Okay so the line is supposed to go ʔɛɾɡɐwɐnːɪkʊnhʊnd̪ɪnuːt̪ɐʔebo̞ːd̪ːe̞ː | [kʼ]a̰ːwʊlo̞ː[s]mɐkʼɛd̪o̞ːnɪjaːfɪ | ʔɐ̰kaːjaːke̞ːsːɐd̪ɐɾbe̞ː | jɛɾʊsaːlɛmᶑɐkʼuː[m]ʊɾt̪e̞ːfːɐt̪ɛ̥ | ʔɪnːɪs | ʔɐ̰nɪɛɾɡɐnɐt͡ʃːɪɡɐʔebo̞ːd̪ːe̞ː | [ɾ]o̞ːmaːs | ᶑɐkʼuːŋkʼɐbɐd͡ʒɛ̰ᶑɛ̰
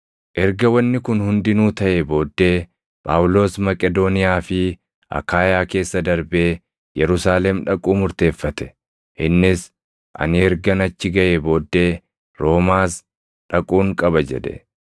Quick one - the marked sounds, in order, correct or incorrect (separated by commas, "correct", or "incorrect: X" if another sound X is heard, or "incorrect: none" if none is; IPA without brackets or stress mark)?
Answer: incorrect: pʼ, correct, correct, correct